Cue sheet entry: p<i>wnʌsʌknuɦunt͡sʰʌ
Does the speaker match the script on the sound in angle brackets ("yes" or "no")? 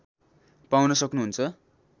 no